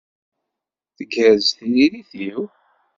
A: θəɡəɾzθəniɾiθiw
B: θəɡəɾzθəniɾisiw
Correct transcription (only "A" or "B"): A